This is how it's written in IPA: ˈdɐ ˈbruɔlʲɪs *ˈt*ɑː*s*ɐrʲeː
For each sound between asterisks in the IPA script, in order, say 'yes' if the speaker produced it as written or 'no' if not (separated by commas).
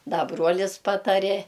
no, no